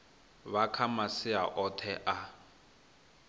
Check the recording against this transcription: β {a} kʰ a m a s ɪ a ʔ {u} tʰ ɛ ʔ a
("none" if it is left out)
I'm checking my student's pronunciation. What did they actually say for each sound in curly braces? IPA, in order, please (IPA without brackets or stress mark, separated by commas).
a, ɔ